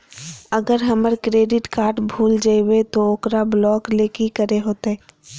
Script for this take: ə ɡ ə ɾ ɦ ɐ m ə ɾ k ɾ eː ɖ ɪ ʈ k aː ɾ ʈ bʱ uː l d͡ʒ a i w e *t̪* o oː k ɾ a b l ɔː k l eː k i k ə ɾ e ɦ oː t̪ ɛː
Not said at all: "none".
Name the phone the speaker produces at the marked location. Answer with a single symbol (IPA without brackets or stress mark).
t̪